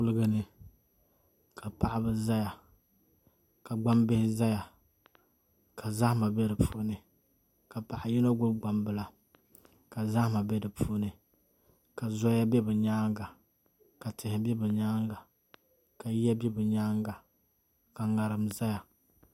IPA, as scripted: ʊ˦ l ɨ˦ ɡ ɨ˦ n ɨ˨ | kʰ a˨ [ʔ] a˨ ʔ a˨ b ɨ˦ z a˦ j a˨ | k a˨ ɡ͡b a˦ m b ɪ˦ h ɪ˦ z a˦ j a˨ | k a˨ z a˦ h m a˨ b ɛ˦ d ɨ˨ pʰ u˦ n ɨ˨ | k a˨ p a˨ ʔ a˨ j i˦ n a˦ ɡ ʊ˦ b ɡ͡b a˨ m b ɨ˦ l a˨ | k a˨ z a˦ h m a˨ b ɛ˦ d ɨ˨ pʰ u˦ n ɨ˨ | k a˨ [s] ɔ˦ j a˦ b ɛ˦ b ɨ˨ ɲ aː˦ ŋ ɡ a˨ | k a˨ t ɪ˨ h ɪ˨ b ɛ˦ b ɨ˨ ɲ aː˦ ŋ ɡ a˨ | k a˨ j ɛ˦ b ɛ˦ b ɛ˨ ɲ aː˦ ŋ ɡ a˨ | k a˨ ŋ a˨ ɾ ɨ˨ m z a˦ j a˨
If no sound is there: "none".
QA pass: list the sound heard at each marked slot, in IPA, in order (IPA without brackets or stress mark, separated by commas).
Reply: p, z